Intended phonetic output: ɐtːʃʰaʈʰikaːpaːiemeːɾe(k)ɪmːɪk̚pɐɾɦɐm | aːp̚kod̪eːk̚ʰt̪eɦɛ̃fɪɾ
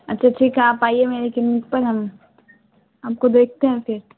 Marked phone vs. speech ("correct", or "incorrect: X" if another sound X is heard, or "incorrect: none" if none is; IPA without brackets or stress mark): correct